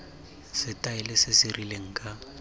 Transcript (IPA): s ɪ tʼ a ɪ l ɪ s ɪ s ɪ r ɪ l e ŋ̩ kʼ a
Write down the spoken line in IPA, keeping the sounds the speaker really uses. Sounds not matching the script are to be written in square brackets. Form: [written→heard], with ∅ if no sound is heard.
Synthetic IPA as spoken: s ɪ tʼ a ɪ l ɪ s ɪ s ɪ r [ɪ→i] l e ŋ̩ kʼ a